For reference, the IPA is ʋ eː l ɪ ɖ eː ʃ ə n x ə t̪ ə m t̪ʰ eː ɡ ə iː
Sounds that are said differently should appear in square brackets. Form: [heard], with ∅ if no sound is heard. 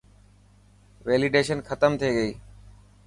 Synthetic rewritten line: ʋ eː l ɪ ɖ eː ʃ ə n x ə t̪ ə m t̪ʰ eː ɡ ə iː